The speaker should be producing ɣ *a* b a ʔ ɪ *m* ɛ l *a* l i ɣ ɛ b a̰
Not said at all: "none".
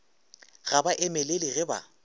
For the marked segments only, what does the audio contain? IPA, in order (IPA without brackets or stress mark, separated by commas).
a, m, e